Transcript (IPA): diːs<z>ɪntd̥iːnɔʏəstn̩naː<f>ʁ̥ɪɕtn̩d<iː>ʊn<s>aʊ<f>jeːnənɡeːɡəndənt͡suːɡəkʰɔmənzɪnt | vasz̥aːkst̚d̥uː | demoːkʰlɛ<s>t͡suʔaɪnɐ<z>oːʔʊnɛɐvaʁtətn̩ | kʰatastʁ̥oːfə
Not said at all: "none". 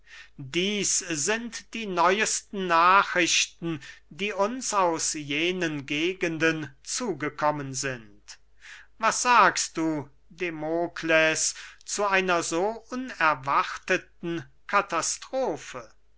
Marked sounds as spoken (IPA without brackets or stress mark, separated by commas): z, χ, iː, s, s, s, z